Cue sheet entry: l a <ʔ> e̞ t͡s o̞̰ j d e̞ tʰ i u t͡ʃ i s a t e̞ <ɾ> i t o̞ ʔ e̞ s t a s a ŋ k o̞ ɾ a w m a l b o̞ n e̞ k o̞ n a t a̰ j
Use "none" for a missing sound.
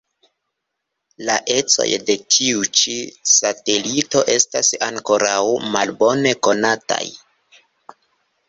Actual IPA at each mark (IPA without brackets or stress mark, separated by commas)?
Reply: ʔ, l